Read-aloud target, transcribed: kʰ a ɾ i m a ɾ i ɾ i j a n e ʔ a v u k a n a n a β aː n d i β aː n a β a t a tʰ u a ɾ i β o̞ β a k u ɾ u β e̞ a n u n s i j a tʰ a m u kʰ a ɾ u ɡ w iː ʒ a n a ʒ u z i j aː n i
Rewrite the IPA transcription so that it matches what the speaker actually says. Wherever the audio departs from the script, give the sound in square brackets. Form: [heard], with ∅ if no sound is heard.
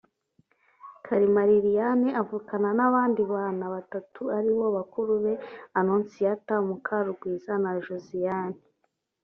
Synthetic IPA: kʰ a ɾ i m a ɾ i ɾ i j a n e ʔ a v u k a n a n a β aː n d i β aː n a β a t a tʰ u a ɾ i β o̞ β a k u ɾ u β e̞ a n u n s i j a [t] a m u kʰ a ɾ u ɡ w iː [z] a n a ʒ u z i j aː n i